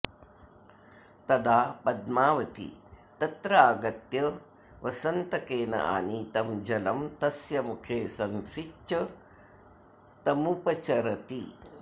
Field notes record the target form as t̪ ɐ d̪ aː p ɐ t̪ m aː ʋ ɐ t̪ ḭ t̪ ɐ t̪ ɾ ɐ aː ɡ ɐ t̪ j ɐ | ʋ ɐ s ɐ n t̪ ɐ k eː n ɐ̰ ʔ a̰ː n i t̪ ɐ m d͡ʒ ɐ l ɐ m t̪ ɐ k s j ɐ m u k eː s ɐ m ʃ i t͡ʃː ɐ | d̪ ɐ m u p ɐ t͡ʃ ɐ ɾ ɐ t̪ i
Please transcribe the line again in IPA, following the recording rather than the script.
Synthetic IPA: t̪ ɐ d̪ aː p ɐ d̪ m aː ʋ ɐ t̪ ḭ t̪ ɐ t̪ ɾ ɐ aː ɡ ɐ t̪ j ɐ | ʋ ɐ s ɐ n t̪ ɐ k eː n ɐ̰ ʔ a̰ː n i t̪ ɐ m d͡ʒ ɐ l ɐ m t̪ ɐ s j ɐ m u kʰ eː s ɐ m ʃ i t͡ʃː ɐ | t̪ ɐ m u p ɐ t͡ʃ ɐ ɾ ɐ t̪ i